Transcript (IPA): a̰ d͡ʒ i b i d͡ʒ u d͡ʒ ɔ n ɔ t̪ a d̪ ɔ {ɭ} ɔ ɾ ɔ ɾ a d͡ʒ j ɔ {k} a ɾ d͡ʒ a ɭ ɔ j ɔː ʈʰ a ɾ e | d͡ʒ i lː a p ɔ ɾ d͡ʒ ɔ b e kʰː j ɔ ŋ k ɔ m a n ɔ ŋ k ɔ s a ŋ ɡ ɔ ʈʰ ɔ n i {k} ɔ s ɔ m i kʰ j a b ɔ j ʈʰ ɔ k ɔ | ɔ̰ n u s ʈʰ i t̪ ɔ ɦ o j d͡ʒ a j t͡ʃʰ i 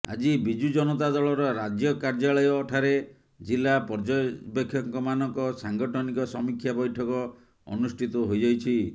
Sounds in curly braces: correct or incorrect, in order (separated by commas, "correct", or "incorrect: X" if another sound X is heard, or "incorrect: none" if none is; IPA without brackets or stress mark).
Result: correct, correct, correct